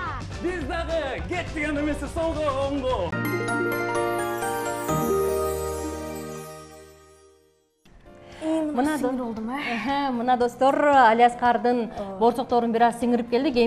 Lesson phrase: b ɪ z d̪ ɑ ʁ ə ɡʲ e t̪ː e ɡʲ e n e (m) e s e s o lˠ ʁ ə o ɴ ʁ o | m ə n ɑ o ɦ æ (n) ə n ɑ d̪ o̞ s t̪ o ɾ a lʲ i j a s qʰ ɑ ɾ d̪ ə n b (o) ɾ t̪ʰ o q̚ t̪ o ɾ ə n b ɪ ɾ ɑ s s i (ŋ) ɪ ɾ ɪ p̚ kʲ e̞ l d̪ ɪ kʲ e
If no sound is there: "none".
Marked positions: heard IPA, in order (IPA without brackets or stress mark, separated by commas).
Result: m, m, o, ŋ